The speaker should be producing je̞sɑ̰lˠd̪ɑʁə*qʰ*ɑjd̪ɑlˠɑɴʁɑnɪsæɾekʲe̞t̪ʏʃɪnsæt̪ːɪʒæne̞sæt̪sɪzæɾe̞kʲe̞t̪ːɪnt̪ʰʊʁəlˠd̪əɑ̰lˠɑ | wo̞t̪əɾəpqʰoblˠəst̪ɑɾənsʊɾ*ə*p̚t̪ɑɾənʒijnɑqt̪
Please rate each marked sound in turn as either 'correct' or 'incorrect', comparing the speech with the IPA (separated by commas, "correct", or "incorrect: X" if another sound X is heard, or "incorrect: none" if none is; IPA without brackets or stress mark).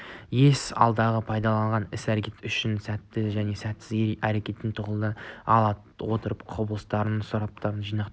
incorrect: pʰ, incorrect: ɑ